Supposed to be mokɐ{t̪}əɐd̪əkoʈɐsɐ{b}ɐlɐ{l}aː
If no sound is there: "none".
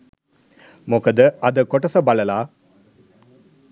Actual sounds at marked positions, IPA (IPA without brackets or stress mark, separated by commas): d̪, b, l